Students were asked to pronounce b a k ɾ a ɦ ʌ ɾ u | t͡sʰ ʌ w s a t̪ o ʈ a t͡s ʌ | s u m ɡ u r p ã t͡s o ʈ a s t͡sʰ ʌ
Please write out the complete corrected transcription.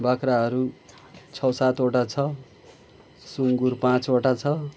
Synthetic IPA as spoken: b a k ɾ a ɦ ʌ ɾ u | t͡sʰ ʌ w s a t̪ o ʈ a t͡sʰ ʌ | s u ŋ ɡ u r p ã t͡s o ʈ a t͡sʰ ʌ